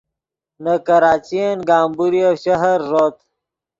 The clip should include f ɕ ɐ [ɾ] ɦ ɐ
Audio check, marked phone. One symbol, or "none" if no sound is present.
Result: none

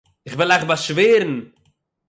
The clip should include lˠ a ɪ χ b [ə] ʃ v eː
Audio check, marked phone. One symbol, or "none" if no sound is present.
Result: a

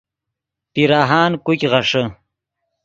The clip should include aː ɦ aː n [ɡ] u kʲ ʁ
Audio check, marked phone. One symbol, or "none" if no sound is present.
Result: k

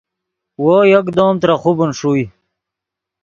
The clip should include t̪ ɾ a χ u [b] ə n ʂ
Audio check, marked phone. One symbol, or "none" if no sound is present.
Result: b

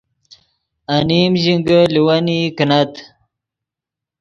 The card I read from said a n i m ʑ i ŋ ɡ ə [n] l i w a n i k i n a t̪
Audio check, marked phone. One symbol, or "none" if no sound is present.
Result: none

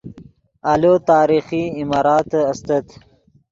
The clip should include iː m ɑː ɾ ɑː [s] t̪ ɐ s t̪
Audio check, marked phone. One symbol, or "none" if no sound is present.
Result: none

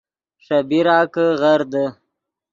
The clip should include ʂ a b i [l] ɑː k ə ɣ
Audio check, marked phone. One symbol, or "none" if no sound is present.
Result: ɾ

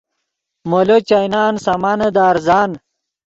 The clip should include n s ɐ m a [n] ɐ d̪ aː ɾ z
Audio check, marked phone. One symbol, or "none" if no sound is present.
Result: n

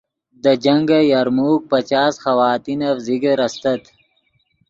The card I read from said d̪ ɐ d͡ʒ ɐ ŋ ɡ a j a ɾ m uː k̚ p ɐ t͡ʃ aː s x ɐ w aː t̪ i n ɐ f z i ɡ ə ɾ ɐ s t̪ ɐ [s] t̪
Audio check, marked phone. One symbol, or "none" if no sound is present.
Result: none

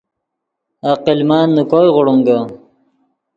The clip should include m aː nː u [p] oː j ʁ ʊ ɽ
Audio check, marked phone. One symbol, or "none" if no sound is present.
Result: k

